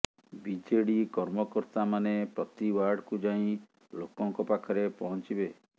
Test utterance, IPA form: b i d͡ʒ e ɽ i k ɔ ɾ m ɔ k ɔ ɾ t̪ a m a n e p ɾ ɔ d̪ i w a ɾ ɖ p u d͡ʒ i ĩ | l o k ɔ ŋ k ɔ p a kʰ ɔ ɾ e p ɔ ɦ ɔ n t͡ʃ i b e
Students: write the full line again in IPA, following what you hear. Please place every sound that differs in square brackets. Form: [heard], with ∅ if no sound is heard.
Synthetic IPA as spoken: b i d͡ʒ e ɽ i k ɔ ɾ m ɔ k ɔ ɾ t̪ a m a n e p ɾ ɔ [t̪] i w a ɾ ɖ [k] u d͡ʒ [a] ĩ | l o k ɔ ŋ k ɔ p a kʰ ɔ ɾ e p ɔ ɦ ɔ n t͡ʃ i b e